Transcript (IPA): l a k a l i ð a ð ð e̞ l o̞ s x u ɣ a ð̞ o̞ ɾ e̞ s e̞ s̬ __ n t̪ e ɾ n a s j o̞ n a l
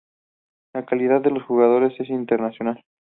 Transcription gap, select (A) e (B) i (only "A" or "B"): B